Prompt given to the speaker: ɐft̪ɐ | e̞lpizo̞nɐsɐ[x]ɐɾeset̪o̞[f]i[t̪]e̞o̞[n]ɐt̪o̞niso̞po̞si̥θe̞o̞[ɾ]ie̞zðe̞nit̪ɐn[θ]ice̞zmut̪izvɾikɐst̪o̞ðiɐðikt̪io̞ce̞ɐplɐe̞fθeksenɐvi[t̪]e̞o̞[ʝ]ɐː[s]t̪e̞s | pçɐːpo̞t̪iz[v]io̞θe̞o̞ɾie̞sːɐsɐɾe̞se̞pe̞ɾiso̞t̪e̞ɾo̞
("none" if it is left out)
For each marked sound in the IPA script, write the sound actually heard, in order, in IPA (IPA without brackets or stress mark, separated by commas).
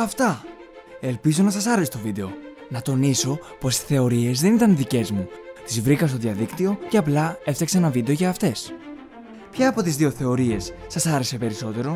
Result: s, v, d̪, n, ɾ, ð, d̪, ʝ, f, ð